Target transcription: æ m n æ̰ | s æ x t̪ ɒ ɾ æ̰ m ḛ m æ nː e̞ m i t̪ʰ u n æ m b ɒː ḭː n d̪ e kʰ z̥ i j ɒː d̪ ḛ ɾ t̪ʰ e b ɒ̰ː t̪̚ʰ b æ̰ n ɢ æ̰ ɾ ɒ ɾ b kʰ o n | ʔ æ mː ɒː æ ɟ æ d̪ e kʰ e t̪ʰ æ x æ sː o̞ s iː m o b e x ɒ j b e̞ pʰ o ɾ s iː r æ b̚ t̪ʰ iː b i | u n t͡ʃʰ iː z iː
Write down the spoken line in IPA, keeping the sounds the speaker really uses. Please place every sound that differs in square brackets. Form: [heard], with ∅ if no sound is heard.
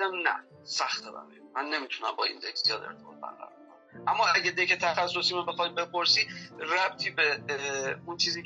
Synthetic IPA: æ m n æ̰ | s æ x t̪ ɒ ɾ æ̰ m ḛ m æ nː e̞ m i t̪ʰ u n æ m b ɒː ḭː n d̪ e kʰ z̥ i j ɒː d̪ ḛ ɾ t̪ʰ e b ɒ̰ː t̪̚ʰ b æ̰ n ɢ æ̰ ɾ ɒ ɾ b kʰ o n | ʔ æ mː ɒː æ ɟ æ d̪ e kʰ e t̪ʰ æ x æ sː o̞ s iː m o b e x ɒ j b e̞ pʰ o ɾ s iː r æ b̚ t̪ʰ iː b [e] | u n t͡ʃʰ iː z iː